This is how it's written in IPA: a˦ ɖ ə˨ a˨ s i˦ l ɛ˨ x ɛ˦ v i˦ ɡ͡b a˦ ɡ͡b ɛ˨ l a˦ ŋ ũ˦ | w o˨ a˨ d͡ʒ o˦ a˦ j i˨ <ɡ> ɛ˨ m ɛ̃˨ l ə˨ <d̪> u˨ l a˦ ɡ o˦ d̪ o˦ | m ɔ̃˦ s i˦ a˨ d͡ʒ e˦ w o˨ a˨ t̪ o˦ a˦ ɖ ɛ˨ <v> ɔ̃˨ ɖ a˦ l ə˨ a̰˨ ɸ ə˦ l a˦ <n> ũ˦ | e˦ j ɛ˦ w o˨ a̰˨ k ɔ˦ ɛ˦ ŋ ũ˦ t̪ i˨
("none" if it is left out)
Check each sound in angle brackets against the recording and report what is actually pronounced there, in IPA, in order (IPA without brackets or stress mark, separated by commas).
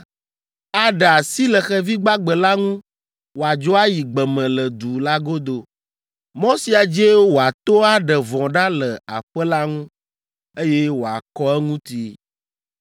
ɡ͡b, d̪, v, ŋ